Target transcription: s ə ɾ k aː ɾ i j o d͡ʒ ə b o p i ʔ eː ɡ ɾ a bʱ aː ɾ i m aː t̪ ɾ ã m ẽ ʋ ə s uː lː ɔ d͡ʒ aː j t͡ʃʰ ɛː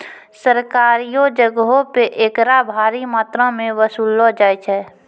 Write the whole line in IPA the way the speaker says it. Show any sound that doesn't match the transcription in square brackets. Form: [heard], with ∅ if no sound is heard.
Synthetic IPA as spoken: s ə ɾ k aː ɾ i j o d͡ʒ ə [ɡ] o p [e] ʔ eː [k] ɾ a bʱ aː ɾ i m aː t̪ ɾ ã m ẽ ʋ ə s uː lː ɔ d͡ʒ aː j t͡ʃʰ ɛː